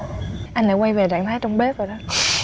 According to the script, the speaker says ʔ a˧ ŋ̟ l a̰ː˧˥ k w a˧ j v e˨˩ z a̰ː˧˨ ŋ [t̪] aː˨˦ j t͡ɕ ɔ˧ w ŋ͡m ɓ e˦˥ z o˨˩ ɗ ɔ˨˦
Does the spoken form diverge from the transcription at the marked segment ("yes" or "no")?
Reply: yes